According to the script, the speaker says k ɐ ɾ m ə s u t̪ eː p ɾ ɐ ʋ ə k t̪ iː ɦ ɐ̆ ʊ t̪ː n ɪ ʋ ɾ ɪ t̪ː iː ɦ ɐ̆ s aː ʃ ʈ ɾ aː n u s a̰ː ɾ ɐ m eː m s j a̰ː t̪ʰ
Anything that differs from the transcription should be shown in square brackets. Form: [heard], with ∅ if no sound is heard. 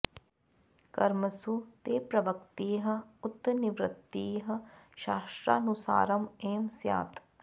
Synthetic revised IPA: k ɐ ɾ m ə s u t̪ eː p ɾ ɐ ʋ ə k t̪ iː ɦ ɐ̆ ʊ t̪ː n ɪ ʋ ɾ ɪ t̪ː iː ɦ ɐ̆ [ʃ] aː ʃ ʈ ɾ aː n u s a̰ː ɾ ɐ m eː m s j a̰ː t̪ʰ